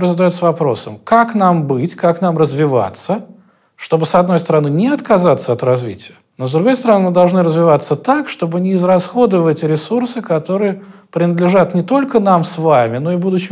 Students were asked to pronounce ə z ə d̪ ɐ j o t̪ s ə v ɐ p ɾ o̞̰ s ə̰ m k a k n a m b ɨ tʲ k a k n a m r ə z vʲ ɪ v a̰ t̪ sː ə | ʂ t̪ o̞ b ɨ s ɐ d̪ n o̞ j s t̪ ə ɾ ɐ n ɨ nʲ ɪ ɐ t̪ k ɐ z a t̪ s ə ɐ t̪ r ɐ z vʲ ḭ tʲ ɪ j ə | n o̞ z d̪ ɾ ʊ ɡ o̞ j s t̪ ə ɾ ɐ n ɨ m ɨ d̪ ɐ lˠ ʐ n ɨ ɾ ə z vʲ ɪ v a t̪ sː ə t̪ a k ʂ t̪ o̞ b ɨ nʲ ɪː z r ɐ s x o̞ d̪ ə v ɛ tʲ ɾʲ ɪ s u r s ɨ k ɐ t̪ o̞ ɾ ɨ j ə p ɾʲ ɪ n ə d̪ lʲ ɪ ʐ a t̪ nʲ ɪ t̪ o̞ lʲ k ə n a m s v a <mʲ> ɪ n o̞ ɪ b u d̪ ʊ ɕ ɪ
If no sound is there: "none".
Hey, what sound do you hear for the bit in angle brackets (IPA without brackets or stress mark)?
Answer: mʲ